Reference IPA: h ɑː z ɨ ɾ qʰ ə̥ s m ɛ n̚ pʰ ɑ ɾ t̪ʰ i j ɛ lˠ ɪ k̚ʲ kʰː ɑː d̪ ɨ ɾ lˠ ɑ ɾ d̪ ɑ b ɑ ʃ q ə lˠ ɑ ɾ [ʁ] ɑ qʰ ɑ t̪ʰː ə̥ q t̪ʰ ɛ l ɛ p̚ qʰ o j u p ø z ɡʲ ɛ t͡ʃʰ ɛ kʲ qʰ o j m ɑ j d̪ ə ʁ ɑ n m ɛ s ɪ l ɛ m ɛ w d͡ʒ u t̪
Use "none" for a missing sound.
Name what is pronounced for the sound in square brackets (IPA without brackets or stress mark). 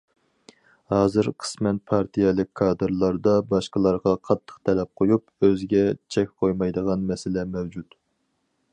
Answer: ʁ